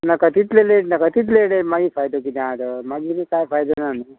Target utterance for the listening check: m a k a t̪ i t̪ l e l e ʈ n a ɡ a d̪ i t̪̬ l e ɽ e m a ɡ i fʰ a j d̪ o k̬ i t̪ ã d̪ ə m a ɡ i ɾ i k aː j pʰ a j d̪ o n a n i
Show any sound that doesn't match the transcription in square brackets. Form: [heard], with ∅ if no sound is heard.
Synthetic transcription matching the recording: [n] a k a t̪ i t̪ l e l e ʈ n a [k] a [t̪] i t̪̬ l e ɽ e m a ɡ i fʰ a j d̪ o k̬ i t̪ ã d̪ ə m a ɡ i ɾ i k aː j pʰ a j d̪ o n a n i